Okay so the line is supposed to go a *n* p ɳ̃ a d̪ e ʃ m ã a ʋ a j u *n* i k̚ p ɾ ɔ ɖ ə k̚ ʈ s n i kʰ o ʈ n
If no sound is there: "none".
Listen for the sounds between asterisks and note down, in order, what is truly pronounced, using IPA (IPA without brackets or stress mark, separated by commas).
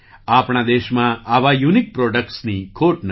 none, n